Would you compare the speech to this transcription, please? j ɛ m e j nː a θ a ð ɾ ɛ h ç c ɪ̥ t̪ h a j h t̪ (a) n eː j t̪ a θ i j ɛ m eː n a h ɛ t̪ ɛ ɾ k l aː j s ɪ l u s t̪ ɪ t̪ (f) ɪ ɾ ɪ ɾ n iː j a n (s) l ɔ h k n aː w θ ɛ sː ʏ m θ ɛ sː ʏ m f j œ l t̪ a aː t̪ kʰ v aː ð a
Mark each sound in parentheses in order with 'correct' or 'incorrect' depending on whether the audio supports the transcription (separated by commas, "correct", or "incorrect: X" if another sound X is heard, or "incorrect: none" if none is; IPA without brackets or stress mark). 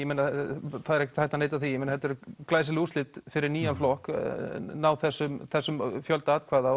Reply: correct, correct, incorrect: f